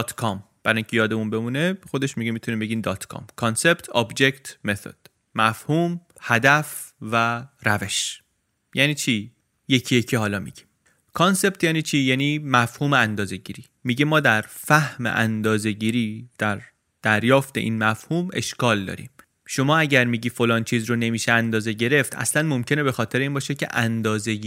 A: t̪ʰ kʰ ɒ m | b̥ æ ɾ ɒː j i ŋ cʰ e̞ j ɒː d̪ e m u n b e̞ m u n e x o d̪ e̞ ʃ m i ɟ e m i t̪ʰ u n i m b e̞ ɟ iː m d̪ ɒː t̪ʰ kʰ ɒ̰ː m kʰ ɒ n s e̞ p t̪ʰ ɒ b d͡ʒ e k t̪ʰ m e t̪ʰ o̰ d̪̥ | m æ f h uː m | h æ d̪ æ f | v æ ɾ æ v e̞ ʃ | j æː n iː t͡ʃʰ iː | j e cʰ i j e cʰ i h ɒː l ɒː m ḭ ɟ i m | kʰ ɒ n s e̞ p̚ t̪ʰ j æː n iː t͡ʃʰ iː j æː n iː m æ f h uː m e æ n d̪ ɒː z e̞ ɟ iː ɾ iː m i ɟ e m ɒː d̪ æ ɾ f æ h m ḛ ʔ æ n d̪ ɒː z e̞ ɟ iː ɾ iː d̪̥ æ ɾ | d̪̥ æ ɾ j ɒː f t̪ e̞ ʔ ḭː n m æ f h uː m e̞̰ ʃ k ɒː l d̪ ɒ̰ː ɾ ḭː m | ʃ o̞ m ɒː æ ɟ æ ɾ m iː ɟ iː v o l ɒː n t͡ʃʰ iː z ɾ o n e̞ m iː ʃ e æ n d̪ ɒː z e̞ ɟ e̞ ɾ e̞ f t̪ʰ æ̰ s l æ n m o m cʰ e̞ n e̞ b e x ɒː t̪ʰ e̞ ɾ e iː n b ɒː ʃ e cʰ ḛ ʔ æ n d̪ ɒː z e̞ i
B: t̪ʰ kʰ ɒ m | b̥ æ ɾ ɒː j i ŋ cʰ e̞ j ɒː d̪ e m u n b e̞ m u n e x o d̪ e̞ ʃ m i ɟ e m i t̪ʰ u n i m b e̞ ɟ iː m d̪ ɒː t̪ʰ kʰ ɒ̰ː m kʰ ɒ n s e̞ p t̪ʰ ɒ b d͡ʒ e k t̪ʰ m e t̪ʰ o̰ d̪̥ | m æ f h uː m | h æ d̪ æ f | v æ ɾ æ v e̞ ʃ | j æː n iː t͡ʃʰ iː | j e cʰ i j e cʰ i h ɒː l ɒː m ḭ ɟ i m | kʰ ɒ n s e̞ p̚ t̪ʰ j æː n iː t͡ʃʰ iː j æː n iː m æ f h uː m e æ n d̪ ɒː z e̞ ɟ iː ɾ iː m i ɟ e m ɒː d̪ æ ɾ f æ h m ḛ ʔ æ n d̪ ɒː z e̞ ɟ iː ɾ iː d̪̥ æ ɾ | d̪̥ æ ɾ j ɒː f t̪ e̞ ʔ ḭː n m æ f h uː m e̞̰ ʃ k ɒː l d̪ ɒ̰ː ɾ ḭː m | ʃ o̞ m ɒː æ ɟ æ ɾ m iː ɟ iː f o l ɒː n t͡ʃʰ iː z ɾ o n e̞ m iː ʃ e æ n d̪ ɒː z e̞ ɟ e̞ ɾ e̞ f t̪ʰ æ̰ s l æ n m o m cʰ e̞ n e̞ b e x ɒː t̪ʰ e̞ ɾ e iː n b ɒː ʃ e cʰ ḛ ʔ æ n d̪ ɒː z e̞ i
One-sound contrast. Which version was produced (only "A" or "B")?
B